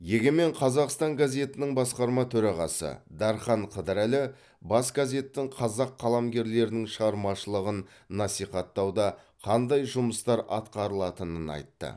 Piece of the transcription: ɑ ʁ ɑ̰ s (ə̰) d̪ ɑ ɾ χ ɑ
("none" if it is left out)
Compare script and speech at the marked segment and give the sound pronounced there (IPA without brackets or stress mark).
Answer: ə̰